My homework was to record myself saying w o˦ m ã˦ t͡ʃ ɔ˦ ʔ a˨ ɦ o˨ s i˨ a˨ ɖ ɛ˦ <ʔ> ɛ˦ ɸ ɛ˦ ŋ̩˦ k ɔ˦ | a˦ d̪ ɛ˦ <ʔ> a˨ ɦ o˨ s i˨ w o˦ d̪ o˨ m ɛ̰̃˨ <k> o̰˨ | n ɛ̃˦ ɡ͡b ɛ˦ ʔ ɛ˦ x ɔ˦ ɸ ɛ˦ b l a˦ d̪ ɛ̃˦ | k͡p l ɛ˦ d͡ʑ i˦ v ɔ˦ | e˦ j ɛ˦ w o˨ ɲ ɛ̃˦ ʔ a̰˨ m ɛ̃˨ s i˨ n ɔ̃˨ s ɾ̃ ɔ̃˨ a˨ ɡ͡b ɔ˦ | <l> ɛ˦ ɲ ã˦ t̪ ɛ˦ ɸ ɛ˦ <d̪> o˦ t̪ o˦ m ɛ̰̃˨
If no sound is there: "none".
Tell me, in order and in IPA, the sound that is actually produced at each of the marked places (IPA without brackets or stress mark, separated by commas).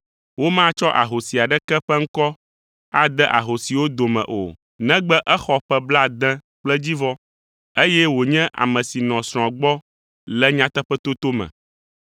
k, ʔ, ʔ, l, t̪